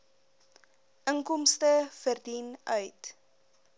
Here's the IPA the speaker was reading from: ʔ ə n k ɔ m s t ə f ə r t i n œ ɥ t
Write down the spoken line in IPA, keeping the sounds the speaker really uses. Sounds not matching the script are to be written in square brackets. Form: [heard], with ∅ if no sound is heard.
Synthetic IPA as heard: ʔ ə [ŋ] k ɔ m s t ə f ə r [d] i n œ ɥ t

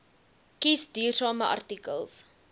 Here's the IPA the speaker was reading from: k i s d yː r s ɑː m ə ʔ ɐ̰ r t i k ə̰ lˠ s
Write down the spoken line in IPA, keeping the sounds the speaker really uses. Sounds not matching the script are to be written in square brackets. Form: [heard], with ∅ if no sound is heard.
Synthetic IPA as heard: k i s d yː r s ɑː m ə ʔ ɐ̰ r t i k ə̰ lˠ s

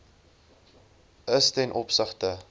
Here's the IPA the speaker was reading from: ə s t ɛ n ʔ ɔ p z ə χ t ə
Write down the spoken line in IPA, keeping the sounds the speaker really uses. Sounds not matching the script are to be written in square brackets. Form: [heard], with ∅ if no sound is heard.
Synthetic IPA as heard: ə s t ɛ n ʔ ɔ p [s] ə χ t ə

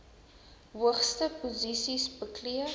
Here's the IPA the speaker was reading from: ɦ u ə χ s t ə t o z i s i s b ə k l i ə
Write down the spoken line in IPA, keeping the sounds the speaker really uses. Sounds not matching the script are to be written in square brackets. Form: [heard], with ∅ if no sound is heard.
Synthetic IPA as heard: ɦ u ə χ s t ə [p] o z i s i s b ə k l i ə

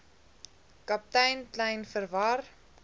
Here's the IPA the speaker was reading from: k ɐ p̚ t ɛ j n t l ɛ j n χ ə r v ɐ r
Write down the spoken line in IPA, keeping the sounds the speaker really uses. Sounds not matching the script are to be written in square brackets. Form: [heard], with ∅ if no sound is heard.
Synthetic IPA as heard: k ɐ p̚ t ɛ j n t l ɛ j n [f] ə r v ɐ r

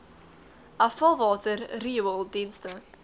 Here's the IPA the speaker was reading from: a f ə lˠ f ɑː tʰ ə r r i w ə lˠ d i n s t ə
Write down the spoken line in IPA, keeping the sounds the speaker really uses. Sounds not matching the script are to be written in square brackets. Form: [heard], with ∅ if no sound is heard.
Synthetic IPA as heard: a f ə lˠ [v] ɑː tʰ ə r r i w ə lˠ d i n s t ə

